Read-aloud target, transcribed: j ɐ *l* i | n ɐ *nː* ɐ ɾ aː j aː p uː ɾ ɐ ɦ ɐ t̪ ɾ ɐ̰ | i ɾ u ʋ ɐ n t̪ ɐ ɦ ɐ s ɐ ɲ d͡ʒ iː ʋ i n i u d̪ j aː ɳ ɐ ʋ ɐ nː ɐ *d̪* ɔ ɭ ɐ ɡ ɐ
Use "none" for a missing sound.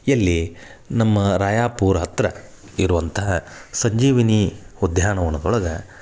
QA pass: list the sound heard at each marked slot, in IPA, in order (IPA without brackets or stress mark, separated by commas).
lː, mː, d̪